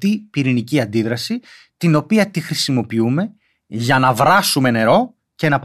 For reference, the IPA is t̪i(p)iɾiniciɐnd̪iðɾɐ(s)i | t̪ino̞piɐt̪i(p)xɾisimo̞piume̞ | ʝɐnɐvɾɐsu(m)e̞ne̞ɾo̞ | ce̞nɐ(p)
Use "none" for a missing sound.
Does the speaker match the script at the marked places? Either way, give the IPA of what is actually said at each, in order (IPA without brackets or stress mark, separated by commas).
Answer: p, s, none, m, p